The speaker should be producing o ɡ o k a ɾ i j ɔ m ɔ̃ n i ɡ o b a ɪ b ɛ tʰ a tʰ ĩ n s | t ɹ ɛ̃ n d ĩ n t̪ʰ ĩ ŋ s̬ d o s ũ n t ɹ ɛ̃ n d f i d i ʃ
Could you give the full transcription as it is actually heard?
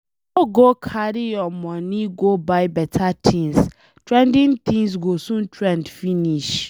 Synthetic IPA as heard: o ɡ o kʰ a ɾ i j ɔ m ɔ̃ n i ɡ o b a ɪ b ɛ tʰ a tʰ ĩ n s | t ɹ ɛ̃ n d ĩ n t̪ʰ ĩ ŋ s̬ ɡ o s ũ n t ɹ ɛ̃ n d f i n i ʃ